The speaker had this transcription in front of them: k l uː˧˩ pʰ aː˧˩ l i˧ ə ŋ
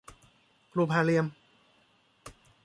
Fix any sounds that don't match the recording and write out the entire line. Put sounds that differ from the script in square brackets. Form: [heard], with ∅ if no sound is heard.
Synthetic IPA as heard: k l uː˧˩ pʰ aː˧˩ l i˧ ə [m]